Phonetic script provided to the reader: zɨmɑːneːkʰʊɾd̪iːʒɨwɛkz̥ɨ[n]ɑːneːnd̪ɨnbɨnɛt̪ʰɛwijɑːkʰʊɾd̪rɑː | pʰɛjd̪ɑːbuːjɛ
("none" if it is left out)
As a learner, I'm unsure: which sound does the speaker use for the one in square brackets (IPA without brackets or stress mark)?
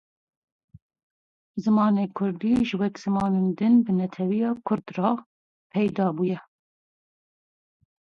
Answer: m